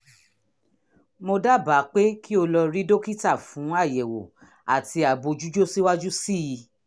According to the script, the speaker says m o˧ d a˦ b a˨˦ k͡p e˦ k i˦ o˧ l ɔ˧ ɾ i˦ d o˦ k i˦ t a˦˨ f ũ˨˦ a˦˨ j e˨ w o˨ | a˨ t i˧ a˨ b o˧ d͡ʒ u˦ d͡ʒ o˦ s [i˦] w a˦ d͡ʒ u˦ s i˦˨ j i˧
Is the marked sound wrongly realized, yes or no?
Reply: no